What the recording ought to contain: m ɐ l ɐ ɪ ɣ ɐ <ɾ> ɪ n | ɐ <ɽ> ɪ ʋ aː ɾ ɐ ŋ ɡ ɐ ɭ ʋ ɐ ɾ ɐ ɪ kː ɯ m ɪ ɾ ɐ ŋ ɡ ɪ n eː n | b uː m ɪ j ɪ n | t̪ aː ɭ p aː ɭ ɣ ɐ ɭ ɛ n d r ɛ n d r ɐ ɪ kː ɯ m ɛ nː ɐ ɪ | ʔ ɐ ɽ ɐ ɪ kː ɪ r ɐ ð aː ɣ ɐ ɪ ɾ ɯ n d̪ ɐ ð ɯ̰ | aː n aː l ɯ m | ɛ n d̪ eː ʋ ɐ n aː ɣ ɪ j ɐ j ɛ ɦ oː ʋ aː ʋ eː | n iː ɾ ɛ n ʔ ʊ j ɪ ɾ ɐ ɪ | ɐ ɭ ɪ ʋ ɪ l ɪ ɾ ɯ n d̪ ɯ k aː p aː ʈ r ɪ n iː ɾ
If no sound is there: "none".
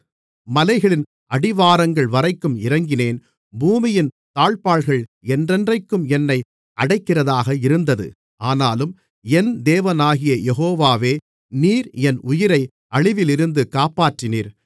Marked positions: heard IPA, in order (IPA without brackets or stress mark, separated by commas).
ɭ, ɽ